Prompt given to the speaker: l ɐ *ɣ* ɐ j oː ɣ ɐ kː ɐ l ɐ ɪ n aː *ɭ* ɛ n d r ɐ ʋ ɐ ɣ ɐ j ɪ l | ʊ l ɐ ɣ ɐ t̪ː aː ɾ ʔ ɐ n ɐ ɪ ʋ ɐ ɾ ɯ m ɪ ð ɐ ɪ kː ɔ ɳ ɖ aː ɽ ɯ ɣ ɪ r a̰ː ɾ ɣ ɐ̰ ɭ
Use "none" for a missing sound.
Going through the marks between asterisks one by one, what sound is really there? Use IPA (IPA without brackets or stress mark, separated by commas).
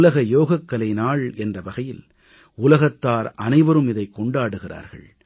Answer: ɣ, ɭ